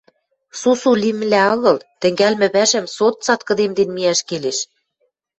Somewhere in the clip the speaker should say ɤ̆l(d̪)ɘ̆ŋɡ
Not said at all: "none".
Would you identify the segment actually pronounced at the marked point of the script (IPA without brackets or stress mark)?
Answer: t̪